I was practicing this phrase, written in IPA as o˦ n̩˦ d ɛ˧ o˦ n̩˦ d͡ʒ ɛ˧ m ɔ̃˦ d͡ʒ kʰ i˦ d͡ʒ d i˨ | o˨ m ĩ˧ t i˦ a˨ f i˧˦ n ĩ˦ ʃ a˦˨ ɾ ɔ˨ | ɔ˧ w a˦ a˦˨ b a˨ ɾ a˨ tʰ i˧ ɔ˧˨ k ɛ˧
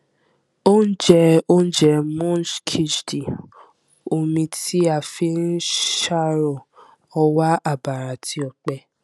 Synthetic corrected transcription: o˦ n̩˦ d͡ʒ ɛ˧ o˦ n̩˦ d͡ʒ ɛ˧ m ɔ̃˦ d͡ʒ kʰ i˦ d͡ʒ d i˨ | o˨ m ĩ˧ t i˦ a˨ f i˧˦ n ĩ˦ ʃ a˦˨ ɾ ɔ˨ | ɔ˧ w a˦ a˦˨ b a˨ ɾ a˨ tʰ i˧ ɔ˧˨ k͡p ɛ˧